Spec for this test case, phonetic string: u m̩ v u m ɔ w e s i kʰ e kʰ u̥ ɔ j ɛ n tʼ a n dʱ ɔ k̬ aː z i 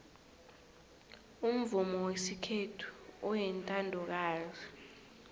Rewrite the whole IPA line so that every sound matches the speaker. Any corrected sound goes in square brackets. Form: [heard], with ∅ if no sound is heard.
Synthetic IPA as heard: u m̩ v u m ɔ w e s i kʰ e [tʰ] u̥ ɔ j ɛ n tʼ a n dʱ ɔ k̬ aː z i